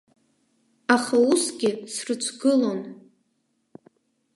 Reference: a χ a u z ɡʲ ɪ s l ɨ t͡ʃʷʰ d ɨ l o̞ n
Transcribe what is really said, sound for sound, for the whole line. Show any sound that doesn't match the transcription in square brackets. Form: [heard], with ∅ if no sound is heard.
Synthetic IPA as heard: a χ a u [s] ɡʲ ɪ s [r] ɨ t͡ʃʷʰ [ɡ] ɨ l o̞ n

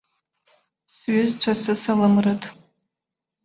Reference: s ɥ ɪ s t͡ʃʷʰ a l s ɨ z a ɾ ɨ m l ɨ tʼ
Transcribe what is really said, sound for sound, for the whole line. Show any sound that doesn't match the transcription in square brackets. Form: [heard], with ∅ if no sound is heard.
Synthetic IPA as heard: s ɥ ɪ [z] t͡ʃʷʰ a [∅] s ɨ [s] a [l] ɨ m [r] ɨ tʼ

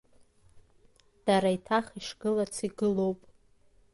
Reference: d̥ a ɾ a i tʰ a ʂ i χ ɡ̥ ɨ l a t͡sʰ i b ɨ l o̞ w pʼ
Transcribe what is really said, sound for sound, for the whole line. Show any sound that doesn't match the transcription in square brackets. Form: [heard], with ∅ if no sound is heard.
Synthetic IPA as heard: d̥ a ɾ a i tʰ a [χ] i [ʂ] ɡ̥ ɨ l a t͡sʰ i [ɡ] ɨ l o̞ w pʼ

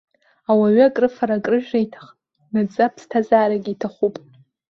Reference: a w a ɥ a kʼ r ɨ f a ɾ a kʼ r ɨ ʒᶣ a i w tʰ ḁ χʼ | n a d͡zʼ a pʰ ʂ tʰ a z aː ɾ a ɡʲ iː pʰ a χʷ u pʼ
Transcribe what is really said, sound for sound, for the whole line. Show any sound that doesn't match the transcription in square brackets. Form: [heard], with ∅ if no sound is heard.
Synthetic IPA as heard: a w a ɥ a kʼ r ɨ f a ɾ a kʼ r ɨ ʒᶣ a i [∅] tʰ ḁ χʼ | n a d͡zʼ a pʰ [s] tʰ a z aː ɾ a ɡʲ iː [tʰ] a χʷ u pʼ

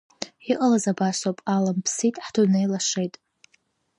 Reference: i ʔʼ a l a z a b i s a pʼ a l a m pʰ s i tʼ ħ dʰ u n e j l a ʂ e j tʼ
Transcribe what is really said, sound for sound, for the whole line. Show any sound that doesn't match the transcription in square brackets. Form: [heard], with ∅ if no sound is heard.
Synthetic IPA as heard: i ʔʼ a l a z a b [a] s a pʼ a l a m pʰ s i tʼ ħ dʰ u n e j l a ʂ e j tʼ

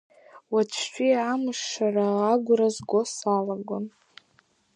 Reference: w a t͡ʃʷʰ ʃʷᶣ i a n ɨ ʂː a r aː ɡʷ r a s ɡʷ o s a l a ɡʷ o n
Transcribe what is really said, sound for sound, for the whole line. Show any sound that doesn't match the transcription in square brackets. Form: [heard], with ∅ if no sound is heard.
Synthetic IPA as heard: w a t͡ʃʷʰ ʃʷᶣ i a [m] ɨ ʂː a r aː ɡʷ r a [z] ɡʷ o s a l a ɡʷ o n

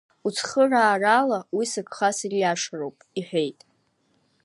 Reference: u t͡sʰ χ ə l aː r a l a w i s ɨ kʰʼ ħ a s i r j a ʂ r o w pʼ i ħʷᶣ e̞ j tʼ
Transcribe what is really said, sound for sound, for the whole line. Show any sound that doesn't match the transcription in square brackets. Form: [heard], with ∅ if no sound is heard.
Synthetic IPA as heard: u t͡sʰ χ ə [r] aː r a l a w i s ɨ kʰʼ [χ] a s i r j a ʂ r o w pʼ i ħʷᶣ e̞ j tʼ

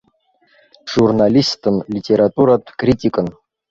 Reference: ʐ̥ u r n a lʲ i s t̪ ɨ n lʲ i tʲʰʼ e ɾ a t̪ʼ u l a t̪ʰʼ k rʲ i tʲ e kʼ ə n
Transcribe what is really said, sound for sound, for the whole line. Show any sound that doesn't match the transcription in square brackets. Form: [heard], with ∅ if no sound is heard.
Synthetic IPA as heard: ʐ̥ u r n a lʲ i s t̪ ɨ n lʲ i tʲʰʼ e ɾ a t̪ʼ u [ɾ] a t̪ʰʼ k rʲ i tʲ [i] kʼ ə n

